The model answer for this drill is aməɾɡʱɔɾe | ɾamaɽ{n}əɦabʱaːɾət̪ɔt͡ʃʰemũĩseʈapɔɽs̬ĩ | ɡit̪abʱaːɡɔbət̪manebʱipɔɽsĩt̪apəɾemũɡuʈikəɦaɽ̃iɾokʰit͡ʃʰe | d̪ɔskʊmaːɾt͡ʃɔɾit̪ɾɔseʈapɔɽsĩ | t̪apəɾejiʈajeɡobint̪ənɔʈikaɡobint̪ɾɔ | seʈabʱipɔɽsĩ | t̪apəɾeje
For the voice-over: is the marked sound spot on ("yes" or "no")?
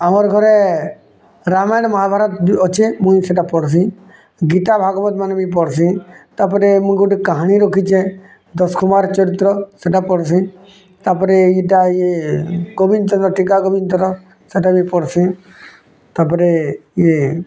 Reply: no